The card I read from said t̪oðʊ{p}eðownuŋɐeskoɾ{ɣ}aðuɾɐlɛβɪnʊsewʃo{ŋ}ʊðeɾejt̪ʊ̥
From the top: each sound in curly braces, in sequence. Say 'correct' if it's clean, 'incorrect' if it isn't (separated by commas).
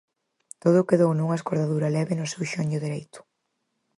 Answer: incorrect, incorrect, incorrect